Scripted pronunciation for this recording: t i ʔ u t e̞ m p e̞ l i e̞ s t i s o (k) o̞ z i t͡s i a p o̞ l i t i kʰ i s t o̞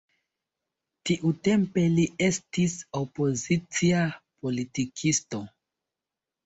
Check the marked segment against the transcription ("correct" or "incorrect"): incorrect